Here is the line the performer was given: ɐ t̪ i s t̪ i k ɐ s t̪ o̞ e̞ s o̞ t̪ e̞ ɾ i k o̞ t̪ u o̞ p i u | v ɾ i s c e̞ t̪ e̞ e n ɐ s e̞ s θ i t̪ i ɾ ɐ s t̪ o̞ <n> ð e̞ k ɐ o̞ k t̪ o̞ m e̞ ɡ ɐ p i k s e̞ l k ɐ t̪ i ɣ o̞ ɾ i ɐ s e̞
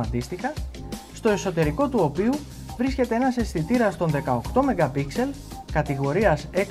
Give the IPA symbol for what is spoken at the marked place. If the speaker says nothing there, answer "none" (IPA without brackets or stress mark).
n